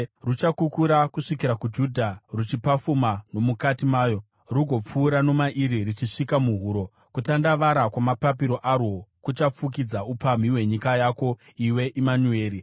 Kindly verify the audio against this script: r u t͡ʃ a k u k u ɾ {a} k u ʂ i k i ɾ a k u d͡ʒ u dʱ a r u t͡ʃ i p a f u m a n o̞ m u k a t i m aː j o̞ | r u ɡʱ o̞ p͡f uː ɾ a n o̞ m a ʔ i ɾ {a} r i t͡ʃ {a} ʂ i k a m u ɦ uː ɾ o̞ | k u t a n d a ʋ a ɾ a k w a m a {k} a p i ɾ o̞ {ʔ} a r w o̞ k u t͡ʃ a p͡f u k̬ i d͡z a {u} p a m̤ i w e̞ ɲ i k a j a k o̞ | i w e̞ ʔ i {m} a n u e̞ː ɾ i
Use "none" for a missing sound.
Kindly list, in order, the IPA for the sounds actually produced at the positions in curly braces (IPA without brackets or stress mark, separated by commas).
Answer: a, i, i, p, ʔ, u, m